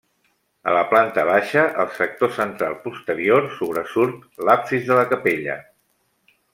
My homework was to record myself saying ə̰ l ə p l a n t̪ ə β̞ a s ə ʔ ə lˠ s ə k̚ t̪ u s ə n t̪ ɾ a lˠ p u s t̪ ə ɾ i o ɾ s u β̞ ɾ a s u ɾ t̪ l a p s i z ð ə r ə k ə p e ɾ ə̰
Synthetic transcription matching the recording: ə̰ l ə p l a n t̪ ə β̞ a ʃ ə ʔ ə lˠ s ə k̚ t̪ o s ə n t̪ ɾ a lˠ p u s t̪ ə ɾ i o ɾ s u β̞ ɾ ə s u ɾ t̪ l a p s i z ð ə l ə k ə p e ʎ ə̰